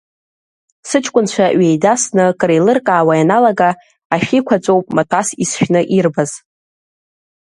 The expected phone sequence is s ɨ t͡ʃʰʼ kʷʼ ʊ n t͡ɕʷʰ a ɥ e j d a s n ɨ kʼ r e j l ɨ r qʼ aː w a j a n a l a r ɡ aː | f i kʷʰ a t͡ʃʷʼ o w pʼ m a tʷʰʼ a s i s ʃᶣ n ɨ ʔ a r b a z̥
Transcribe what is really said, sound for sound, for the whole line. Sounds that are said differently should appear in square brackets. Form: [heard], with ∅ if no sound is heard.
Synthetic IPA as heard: s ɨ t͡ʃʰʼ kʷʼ ʊ n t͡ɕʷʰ a ɥ e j d a s n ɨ kʼ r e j l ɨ r [kʼ] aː w a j a n a l a [∅] ɡ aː | [ʃ] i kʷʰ a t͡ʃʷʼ o w pʼ m a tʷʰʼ a s i s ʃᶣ n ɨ ʔ [i] r b a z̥